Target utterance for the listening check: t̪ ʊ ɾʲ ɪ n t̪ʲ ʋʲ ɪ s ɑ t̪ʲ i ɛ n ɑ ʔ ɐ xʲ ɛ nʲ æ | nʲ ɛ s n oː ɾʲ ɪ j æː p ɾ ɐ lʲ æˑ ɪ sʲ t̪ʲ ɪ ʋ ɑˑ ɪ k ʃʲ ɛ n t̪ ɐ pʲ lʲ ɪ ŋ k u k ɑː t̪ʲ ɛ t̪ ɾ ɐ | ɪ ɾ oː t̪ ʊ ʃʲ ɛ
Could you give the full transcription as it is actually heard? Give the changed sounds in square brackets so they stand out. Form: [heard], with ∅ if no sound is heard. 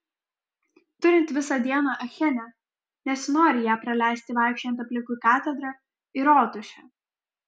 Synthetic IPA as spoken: t̪ ʊ ɾʲ ɪ n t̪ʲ ʋʲ ɪ s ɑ [d̪ʲ] i ɛ n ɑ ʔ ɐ xʲ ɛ nʲ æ | nʲ ɛ s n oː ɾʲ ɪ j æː p ɾ ɐ lʲ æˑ ɪ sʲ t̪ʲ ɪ ʋ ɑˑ ɪ k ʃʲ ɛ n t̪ ɐ pʲ lʲ ɪ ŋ k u k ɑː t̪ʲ ɛ [d̪] ɾ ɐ | ɪ ɾ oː t̪ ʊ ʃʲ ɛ